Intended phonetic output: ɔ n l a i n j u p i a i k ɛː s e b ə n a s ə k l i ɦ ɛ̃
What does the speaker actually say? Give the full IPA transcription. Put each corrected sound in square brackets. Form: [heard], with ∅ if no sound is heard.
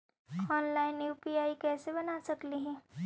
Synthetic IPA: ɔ n l a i n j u p i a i k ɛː s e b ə n a s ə k l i ɦ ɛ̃